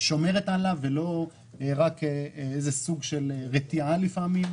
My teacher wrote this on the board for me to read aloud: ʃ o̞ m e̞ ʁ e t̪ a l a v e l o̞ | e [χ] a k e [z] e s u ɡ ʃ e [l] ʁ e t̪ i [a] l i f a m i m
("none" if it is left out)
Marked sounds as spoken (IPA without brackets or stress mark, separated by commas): ʁ, z, l, a